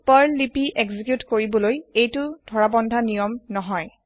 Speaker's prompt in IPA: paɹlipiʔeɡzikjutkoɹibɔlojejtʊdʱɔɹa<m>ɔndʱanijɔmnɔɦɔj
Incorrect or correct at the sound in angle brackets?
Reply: incorrect: b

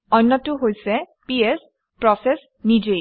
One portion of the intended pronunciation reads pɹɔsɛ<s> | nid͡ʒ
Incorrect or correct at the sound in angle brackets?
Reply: correct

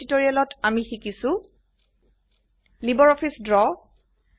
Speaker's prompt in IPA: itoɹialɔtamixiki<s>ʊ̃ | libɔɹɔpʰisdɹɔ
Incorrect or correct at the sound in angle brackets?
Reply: correct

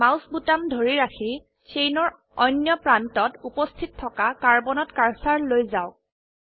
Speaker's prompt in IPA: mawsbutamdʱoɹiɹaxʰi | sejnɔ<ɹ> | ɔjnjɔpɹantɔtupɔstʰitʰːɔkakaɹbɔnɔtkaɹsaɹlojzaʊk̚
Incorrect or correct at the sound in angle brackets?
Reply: correct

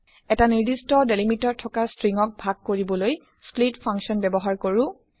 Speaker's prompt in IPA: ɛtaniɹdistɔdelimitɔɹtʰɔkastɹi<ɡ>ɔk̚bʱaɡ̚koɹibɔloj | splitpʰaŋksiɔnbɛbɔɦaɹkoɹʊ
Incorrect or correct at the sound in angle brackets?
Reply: incorrect: ŋ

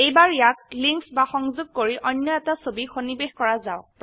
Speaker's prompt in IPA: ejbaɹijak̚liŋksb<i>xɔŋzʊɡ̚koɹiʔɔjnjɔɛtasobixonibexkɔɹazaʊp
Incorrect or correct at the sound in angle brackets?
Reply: incorrect: a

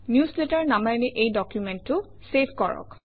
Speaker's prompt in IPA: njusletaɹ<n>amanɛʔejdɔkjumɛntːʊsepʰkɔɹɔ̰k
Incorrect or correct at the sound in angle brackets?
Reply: correct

